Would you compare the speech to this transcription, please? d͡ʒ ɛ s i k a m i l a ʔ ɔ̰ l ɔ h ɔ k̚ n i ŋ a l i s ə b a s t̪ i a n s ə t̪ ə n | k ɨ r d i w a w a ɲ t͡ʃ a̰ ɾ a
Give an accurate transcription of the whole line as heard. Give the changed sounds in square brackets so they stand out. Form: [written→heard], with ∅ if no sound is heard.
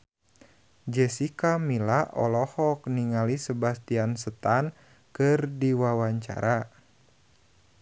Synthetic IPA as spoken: d͡ʒ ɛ s i k a m i l a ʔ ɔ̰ l ɔ h ɔ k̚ n i ŋ a l i s ə b a s t̪ i a n s ə t̪ [ə→a] n | k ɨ r d i w a w a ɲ t͡ʃ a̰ ɾ a

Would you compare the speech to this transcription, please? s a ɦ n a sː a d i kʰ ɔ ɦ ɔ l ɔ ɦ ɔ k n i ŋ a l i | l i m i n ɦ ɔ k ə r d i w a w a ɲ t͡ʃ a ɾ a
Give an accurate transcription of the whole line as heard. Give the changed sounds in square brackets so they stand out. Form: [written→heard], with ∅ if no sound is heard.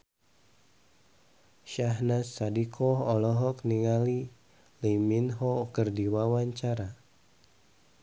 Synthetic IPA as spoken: [s→ʃ] a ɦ n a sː a d i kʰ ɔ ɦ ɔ l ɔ ɦ ɔ k n i ŋ a l i | l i m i n ɦ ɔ k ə r d i w a w a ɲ t͡ʃ a ɾ a

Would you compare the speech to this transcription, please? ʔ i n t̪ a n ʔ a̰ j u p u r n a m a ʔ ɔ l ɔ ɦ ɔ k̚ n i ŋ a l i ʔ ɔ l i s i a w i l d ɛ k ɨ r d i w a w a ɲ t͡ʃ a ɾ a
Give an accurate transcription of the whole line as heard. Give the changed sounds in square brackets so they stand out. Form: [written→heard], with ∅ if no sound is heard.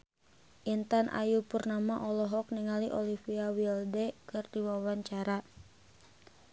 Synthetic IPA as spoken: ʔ i n t̪ a n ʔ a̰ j u p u r n a m a ʔ ɔ l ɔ ɦ ɔ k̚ n i ŋ a l i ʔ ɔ l i [s→f] i a w i l d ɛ k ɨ r d i w a w a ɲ t͡ʃ a ɾ a

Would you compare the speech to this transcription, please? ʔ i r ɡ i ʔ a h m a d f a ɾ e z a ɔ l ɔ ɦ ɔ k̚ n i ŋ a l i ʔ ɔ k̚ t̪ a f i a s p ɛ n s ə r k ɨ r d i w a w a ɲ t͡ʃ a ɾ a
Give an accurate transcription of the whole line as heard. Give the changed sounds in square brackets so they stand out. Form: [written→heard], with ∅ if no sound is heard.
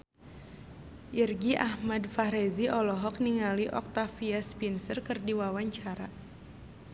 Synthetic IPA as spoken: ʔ i r ɡ i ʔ a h m a d f a ɾ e z [a→i] ɔ l ɔ ɦ ɔ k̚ n i ŋ a l i ʔ ɔ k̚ t̪ a f i a s p [ɛ→i] n s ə r k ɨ r d i w a w a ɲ t͡ʃ a ɾ a

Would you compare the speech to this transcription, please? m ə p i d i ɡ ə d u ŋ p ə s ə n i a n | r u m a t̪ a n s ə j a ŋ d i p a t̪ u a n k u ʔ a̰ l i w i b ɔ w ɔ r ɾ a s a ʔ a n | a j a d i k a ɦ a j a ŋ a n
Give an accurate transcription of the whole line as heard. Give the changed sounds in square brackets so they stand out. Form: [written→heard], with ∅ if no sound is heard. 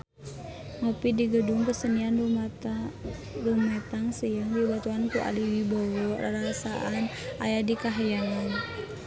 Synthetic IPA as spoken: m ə p i d i ɡ ə d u ŋ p ə s ə n i a n | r u m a t̪ a [n→ŋ] s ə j a ŋ d i [p→b] a t̪ u a n k u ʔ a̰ l i w i b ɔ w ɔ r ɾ a s a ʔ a n | a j a d i k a ɦ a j a ŋ a n

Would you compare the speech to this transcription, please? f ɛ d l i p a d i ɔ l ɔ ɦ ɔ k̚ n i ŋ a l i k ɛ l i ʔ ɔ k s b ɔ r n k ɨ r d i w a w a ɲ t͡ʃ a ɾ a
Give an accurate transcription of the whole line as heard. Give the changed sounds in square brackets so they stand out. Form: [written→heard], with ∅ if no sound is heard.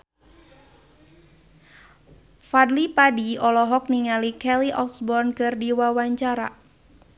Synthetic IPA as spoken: f [ɛ→a] d l i p a d i ɔ l ɔ ɦ ɔ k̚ n i ŋ a l i k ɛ l i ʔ ɔ k s b ɔ r n k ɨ r d i w a w a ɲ t͡ʃ a ɾ a

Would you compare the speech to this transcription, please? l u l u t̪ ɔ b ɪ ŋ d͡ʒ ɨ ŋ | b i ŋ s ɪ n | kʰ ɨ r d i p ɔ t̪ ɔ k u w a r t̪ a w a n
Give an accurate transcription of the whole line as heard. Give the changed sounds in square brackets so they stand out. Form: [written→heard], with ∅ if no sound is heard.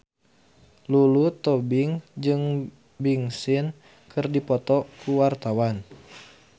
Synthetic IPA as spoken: l u l u t̪ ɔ b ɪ ŋ d͡ʒ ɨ ŋ | b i ŋ s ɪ n | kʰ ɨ r d i p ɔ t̪ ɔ k u w a r t̪ a w a n

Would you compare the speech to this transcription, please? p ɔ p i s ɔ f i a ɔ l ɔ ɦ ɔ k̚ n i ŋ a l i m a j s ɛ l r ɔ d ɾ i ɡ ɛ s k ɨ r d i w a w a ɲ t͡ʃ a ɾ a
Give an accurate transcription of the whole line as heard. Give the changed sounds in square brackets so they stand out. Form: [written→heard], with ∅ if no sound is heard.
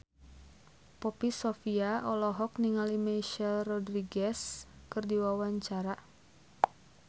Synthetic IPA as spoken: p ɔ p i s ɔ f i a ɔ l ɔ ɦ ɔ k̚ n i ŋ a l i m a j [s→ʃ] ɛ l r ɔ d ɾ i ɡ ɛ s k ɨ r d i w a w a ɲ t͡ʃ a ɾ a

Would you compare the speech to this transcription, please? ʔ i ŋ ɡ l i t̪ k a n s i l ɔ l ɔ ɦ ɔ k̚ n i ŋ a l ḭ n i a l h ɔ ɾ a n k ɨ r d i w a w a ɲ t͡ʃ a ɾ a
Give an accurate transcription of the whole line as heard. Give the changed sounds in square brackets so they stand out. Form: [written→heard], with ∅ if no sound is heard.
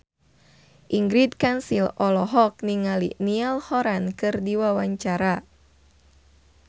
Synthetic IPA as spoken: ʔ i ŋ ɡ [l→ɾ] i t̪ k a n s i l ɔ l ɔ ɦ ɔ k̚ n i ŋ a l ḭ n i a l h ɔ ɾ a n k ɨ r d i w a w a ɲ t͡ʃ a ɾ a

